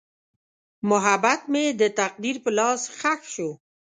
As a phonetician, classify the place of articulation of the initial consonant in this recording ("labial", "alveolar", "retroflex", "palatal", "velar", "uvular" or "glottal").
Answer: labial